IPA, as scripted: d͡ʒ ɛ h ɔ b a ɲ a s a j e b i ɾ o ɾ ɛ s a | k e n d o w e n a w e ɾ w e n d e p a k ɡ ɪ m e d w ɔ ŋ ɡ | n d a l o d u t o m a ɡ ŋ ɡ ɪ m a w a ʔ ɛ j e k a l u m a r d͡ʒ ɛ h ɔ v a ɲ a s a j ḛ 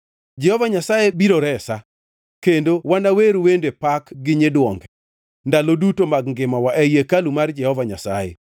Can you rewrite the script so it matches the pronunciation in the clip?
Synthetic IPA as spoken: d͡ʒ ɛ h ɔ v a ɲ a s a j e b i ɾ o ɾ ɛ s a | k e n d o w a n a w e ɾ w e n d e p a k ɡ ɪ ɲ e d w ɔ ŋ ɡ | n d a l o d u t o m a ɡ ŋ ɡ ɪ m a w a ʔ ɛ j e k a l u m a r d͡ʒ ɛ h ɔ v a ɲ a s a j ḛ

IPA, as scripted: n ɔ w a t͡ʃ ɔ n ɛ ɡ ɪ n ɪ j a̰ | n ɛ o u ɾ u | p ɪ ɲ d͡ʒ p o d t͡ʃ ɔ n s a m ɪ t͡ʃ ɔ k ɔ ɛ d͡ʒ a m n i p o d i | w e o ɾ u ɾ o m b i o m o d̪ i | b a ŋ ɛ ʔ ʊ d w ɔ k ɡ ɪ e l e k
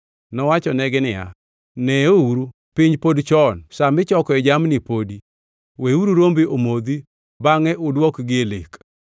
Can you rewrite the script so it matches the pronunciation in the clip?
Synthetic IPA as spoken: n ɔ w a t͡ʃ ɔ n ɛ ɡ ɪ n ɪ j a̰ | n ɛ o u ɾ u | p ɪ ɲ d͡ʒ p o d t͡ʃ ɔ n s a m ɪ t͡ʃ ɔ k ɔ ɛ d͡ʒ a m n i p o d i | w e u ɾ u ɾ o m b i o m o d̪ i | b a ŋ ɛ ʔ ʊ d w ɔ k ɡ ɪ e l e k

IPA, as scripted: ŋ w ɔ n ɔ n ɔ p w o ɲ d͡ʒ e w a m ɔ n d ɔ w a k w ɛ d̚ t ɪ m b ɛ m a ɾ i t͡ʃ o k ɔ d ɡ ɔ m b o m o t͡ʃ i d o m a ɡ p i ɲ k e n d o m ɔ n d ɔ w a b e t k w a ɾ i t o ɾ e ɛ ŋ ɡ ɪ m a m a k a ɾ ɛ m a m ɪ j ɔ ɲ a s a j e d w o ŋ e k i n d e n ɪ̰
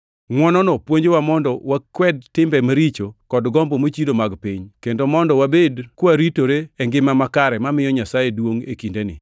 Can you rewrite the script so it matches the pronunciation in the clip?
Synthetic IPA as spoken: ŋ w ɔ n ɔ n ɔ p w o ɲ d͡ʒ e w a m ɔ n d ɔ w a k w ɛ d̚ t ɪ m b ɛ m a ɾ i t͡ʃ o k ɔ d ɡ ɔ m b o m o t͡ʃ i d o m a ɡ p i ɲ k e n d o m ɔ n d ɔ w a b e d k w a ɾ i t o ɾ e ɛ ŋ ɡ ɪ m a m a k a ɾ ɛ m a m ɪ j ɔ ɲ a s a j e d w o ŋ e k i n d e n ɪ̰

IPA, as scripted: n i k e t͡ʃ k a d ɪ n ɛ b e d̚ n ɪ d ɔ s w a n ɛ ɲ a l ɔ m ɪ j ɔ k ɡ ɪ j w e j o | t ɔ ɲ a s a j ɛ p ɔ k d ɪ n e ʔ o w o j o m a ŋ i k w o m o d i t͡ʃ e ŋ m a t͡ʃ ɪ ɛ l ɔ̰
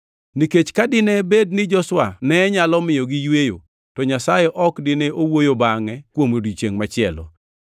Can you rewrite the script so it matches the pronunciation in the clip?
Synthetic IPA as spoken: n i k e t͡ʃ k a d ɪ n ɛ b e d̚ n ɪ d͡ʒ ɔ s w a n ɛ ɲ a l ɔ m ɪ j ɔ ɡ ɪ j w e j o | t ɔ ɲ a s a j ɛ ʔ ɔ k d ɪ n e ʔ o w o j o b a ŋ ɛ k w o m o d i t͡ʃ e ŋ m a t͡ʃ ɪ ɛ l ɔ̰

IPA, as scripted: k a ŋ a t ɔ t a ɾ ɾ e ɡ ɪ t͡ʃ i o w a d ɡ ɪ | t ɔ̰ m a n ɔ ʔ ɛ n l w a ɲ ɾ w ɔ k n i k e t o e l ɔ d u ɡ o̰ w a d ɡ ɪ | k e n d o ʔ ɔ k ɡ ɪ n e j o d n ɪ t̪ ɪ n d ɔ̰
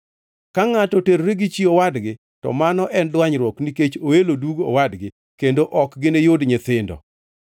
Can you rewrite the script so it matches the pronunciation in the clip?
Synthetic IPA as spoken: k a ŋ a t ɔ t e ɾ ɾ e ɡ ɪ t͡ʃ i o w a d ɡ ɪ | t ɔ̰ m a n ɔ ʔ ɛ n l w a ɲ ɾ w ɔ k n i k e t͡ʃ o e l o d u ɡ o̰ w a d ɡ ɪ | k e n d o ʔ ɔ k ɡ ɪ n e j o d ɲ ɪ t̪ ɪ n d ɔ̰

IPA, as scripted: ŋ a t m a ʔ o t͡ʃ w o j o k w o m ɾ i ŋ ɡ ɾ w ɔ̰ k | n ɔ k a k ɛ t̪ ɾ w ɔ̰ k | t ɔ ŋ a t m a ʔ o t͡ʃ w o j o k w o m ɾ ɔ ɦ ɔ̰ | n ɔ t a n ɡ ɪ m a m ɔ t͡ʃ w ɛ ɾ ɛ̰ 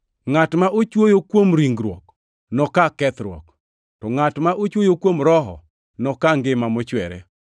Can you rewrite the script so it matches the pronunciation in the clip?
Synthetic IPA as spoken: ŋ a t m a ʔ o t͡ʃ w o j o k w o m ɾ i ŋ ɡ ɾ w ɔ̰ k | n ɔ k a k ɛ t̪ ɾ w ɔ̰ k | t ɔ ŋ a t m a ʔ o t͡ʃ w o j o k w o m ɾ ɔ ɦ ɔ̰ | n ɔ k a ŋ ɡ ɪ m a m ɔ t͡ʃ w ɛ ɾ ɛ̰

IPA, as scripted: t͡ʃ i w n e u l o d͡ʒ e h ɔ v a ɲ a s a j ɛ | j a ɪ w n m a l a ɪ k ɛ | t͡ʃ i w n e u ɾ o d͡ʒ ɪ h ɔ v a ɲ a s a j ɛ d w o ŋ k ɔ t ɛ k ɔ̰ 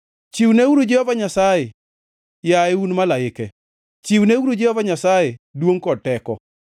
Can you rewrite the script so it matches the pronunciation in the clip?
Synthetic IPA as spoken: t͡ʃ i w n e u ɾ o d͡ʒ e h ɔ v a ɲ a s a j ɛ | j a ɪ u n m a l a ɪ k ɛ | t͡ʃ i w n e u ɾ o d͡ʒ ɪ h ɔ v a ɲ a s a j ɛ d w o ŋ k ɔ t ɛ k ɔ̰

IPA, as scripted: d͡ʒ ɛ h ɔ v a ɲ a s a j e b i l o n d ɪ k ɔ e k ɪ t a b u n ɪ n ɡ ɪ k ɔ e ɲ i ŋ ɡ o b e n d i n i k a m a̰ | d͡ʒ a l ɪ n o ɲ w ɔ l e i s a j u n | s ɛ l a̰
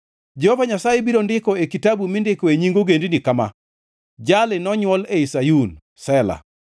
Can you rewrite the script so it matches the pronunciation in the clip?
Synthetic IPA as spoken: d͡ʒ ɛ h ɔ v a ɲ a s a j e b i ɾ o n d ɪ k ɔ e k i t a b u m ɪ n d ɪ k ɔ e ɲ i ŋ ɡ o ɡ e n d i n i k a m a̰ | d͡ʒ a l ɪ n ɔ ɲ w ɔ l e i s a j u n | s ɛ l a̰

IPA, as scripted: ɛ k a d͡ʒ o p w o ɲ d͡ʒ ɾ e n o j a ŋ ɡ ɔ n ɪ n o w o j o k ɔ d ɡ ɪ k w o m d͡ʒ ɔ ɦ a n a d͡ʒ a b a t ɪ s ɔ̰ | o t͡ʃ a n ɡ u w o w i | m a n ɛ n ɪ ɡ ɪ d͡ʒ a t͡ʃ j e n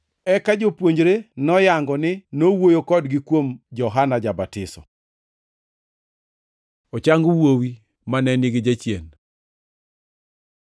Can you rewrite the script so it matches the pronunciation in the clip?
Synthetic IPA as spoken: ɛ k a d͡ʒ o p w o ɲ d͡ʒ ɾ e n ɔ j a ŋ ɡ ɔ n ɪ n o w o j o k ɔ d ɡ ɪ k w o m d͡ʒ ɔ ɦ a n a d͡ʒ a b a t ɪ s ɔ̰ | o t͡ʃ a ŋ ɡ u w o w i | m a n ɛ n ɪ ɡ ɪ d͡ʒ a t͡ʃ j e n

